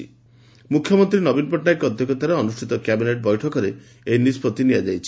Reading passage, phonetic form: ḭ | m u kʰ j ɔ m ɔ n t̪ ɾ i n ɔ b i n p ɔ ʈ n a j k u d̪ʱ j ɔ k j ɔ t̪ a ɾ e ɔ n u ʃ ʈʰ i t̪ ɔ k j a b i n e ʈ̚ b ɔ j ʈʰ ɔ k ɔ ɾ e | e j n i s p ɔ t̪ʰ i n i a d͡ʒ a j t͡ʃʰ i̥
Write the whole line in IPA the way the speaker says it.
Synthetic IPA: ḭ | m u kʰ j ɔ m ɔ n t̪ ɾ i n ɔ b i n p ɔ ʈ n a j k ɔ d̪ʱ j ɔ k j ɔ t̪ a ɾ e ɔ n u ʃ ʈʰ i t̪ ɔ k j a b i n e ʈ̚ b ɔ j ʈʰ ɔ k ɔ ɾ e | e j n i s p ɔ t̪ i n i a d͡ʒ a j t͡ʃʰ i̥